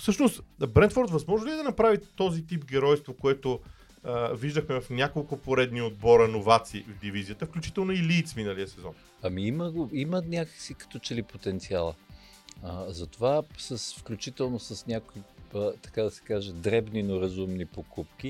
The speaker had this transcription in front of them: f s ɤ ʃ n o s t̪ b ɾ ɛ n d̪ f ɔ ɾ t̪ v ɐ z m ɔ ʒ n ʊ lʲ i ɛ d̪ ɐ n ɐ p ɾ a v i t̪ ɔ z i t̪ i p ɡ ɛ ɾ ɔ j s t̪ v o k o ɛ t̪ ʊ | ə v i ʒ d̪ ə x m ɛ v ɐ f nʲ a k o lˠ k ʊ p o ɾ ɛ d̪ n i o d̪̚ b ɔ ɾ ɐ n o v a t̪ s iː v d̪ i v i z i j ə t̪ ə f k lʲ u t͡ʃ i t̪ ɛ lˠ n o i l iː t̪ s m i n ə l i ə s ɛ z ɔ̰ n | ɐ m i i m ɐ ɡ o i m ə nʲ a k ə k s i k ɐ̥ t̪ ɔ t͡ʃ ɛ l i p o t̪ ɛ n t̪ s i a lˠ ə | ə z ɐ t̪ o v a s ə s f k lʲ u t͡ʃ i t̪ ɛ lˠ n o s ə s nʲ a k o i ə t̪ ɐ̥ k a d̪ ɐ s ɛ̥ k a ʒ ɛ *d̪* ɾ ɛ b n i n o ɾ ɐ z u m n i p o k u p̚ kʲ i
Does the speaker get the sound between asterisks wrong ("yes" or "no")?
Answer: no